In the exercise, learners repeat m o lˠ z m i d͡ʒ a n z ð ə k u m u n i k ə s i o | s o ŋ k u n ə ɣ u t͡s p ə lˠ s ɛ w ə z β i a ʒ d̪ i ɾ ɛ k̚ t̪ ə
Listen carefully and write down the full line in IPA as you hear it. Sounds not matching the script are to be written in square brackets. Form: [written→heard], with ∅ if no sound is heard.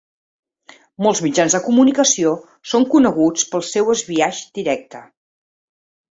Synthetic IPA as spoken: m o lˠ z m i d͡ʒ a n z ð ə k u m u n i k ə s i o | s o ŋ k u n ə ɣ u t͡s p ə lˠ s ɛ w ə z β i a ʒ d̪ i ɾ ɛ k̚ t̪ ə